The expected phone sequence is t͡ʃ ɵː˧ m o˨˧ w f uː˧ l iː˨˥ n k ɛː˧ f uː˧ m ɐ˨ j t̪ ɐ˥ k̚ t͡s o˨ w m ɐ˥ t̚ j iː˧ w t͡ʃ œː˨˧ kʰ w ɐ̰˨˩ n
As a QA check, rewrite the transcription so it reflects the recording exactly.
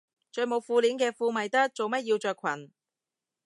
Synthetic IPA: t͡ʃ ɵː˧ m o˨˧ w f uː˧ l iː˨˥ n k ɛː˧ f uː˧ m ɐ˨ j t̪ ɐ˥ k̚ t͡s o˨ w m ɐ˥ t̚ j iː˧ w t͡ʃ œː˨˧ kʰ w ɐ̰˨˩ n